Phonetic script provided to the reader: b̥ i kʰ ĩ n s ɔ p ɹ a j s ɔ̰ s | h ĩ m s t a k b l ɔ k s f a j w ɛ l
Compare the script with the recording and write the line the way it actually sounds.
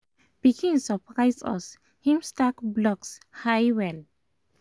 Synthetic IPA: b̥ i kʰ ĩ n s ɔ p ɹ a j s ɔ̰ s | h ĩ m s t a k b l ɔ k s h a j w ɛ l